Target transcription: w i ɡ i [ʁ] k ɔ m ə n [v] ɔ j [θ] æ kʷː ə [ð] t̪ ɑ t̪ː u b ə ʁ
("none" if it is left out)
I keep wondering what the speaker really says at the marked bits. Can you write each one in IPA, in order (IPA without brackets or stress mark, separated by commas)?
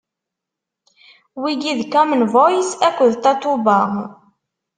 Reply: ð, v, s, ð